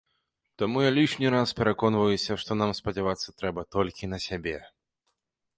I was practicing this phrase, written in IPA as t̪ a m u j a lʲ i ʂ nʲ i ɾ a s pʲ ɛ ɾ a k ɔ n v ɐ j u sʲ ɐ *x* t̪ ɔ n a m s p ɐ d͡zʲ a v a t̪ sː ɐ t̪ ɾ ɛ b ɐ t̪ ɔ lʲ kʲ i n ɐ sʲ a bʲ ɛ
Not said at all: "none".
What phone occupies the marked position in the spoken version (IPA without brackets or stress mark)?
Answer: ʂ